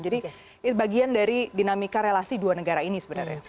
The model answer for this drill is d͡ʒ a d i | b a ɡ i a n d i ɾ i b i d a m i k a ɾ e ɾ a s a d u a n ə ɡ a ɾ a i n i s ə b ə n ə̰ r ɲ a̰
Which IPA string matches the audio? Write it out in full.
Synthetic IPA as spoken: d͡ʒ a d i | b a ɡ i a n d a ɾ i d i n a m i k a ɾ e l a s i d u a n ə ɡ a ɾ a i n i s ə b ə n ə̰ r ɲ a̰